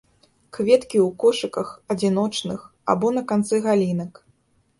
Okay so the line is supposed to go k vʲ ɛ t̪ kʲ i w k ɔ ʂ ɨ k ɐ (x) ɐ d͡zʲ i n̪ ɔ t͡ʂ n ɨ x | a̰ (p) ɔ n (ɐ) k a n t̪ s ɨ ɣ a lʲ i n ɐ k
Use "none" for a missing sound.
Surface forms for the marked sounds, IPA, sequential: x, b, ɐ

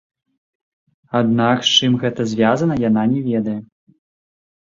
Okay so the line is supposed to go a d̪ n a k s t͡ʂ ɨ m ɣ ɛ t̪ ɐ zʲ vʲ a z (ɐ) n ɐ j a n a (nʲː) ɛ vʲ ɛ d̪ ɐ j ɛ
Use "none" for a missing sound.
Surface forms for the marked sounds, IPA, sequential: ɐ, nʲ

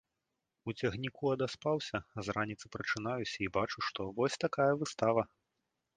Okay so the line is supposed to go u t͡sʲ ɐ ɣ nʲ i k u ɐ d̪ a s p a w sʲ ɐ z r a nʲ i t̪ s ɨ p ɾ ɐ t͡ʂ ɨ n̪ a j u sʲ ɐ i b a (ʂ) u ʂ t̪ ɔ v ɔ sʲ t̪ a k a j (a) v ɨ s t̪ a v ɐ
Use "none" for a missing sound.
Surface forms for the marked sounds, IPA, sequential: t͡ʂ, ɐ

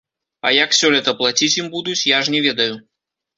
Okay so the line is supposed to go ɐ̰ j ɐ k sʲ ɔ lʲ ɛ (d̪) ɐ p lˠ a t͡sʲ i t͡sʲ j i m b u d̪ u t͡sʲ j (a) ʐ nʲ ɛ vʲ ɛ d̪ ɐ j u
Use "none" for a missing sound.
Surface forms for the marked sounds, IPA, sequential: t̪, a

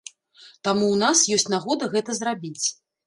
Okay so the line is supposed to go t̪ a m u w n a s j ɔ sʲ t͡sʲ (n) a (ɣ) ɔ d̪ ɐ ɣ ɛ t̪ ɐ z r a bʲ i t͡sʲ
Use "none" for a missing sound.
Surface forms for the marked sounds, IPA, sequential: n, ɣ

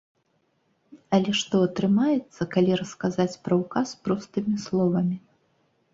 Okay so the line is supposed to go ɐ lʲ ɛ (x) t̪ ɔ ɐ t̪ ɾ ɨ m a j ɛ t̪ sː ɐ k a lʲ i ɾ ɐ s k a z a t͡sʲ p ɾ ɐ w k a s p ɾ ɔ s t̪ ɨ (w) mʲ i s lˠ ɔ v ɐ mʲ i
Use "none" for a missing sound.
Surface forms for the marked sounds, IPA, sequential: ʂ, none

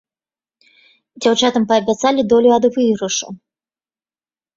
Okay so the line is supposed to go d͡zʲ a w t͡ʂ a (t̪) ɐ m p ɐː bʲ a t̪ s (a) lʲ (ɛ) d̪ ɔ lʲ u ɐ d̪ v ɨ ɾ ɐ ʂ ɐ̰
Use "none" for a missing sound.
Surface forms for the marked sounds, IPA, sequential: t̪, a, i

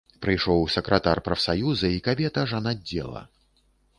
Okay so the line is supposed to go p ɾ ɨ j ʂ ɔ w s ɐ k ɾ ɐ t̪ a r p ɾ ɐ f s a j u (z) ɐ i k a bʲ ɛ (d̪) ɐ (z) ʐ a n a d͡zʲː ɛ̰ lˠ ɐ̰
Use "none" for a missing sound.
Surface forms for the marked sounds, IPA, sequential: z, t̪, none

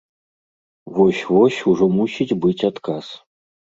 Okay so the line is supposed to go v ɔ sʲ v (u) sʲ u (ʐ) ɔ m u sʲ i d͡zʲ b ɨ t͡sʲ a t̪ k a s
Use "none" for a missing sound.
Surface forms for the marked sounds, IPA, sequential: ɔ, ʐ

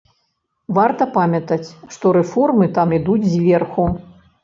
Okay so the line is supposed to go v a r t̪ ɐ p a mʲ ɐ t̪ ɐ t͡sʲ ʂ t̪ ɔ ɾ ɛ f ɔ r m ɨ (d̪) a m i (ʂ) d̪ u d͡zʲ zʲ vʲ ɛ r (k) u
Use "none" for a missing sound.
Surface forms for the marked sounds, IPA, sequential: t̪, none, x

